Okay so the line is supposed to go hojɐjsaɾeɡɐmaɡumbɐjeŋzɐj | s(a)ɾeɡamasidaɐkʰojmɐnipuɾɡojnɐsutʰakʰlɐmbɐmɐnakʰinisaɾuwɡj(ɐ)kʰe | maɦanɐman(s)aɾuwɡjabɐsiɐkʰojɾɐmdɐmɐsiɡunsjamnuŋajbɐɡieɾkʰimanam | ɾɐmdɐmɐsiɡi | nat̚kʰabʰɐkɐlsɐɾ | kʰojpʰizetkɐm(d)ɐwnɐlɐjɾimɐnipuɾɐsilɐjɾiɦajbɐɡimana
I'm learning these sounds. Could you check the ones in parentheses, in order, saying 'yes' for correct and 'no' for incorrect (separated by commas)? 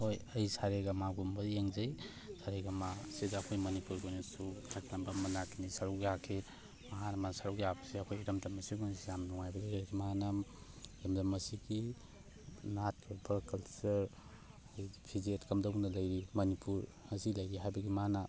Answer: yes, no, yes, yes